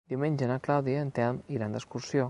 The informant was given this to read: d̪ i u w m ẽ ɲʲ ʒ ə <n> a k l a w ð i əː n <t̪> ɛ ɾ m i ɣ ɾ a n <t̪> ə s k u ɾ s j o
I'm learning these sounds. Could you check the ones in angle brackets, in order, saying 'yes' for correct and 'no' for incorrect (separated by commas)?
yes, yes, no